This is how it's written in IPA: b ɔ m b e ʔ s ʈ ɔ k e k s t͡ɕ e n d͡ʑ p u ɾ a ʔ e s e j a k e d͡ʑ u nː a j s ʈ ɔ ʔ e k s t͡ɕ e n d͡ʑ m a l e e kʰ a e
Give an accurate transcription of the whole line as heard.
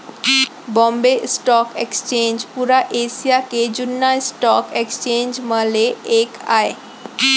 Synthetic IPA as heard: b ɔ m b e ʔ s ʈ ɔ k e k s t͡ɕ e n d͡ʑ p u ɾ a ʔ e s i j a k e d͡ʑ u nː a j s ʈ ɔ k e k s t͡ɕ e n d͡ʑ m a l e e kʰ a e